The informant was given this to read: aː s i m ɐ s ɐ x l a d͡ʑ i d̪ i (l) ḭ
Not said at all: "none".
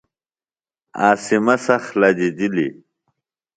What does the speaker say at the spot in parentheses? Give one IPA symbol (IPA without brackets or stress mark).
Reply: l